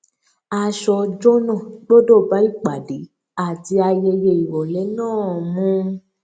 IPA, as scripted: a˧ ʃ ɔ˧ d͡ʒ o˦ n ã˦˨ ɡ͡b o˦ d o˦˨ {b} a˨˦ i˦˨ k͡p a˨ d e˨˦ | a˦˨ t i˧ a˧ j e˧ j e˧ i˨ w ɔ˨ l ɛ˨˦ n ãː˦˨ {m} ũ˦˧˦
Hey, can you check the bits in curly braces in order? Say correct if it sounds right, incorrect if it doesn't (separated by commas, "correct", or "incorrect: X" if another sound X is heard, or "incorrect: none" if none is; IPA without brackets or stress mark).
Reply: correct, correct